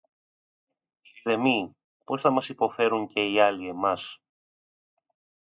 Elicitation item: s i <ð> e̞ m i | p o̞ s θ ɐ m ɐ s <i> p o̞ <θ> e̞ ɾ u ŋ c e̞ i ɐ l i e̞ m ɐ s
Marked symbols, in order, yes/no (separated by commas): yes, yes, no